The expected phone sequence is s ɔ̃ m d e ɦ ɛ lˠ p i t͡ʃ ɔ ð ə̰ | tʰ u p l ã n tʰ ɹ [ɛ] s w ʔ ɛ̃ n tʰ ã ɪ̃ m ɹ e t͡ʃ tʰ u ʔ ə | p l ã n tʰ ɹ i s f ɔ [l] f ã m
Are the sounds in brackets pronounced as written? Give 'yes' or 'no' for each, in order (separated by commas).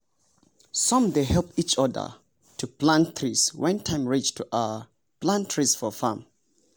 no, no